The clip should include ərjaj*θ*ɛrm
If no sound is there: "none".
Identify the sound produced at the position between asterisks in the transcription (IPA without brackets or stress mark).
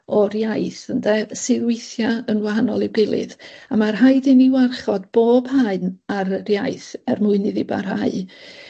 θ